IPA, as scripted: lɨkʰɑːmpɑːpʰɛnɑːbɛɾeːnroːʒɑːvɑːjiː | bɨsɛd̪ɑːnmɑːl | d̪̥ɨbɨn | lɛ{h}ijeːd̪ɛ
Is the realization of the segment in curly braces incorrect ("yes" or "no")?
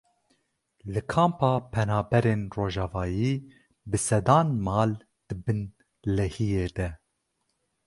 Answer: no